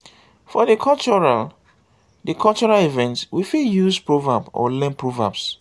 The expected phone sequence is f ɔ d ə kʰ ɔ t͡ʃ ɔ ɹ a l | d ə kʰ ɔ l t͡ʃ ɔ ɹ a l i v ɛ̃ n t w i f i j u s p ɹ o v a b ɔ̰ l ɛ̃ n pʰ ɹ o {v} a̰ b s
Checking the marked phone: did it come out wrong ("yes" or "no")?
no